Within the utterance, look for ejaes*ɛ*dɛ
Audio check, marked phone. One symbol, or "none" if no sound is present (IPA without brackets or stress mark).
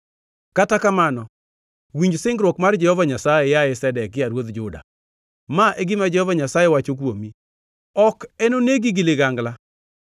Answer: ɛ